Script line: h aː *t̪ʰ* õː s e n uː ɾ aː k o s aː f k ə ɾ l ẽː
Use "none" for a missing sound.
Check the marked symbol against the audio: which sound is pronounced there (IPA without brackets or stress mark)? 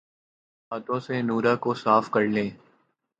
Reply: t̪